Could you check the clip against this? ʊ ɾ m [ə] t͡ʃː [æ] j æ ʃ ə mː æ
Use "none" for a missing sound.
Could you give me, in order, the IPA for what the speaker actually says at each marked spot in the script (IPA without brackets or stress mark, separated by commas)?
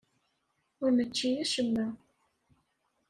ə, i